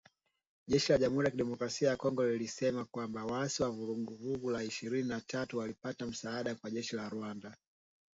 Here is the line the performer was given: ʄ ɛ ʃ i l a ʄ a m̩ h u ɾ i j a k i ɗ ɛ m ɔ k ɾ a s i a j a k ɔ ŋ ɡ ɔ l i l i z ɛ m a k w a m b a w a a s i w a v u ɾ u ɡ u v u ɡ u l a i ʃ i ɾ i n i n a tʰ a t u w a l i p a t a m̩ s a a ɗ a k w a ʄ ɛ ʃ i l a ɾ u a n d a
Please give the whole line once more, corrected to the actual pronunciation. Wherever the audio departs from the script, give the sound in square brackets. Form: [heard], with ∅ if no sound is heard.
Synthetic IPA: ʄ ɛ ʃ i l a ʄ a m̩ h u ɾ i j a k i ɗ ɛ m ɔ k ɾ a s i a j a k ɔ ŋ ɡ ɔ l i l i [s] ɛ m a k w a m b a w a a s i w a v u ɾ u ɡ u v u ɡ u l a i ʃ i ɾ i n i n a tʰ a t u w a l i p a t a m̩ s a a ɗ a k w a ʄ ɛ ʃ i l a ɾ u a n d a